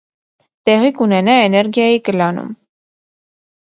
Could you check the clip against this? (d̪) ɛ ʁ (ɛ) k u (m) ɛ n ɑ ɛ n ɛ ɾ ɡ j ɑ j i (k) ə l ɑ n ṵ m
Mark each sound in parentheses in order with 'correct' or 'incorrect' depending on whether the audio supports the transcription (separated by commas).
incorrect, incorrect, incorrect, correct